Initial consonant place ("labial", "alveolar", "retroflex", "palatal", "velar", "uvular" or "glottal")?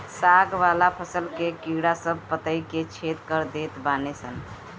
alveolar